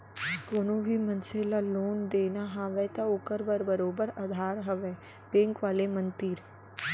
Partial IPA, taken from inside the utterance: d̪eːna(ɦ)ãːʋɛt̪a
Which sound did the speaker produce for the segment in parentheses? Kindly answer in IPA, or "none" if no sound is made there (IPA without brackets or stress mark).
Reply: ɦ